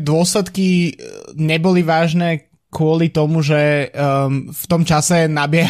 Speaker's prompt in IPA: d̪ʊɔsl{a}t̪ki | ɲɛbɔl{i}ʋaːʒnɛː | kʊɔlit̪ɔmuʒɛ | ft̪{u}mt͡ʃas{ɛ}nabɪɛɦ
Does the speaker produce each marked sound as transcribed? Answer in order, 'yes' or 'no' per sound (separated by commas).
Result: no, yes, no, yes